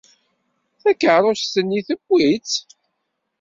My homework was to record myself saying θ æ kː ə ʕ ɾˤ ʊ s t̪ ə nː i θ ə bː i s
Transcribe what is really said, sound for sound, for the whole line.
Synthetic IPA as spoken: θ æ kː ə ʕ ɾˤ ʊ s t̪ ə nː i θ ə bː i t͡s